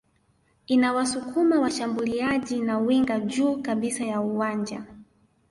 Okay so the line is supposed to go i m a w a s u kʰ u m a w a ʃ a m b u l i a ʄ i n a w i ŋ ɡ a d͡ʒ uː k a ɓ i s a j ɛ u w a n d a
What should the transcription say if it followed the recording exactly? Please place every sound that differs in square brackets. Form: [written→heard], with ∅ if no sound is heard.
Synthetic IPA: i [m→n] a w a s u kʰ u m a w a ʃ a m b u l i a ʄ i n a w i ŋ ɡ a d͡ʒ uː k a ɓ i s a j [ɛ→a] u w a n [d→d͡ʒ] a